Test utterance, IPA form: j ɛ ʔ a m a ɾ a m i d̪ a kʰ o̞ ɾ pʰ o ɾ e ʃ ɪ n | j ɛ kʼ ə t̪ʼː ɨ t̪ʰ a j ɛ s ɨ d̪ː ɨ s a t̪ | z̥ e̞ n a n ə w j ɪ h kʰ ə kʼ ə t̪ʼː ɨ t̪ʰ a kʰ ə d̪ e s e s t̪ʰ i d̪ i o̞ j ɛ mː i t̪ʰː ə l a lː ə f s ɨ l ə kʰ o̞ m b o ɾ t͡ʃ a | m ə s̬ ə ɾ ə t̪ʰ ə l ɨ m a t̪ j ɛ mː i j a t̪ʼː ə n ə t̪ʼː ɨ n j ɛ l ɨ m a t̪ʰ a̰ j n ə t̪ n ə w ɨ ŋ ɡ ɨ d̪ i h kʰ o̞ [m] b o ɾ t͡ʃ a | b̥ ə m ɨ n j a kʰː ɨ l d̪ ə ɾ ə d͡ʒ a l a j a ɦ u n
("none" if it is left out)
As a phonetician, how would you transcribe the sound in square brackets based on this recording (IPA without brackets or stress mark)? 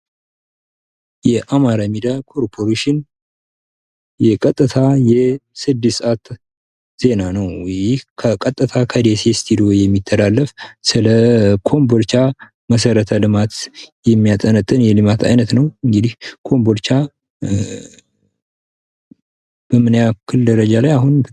m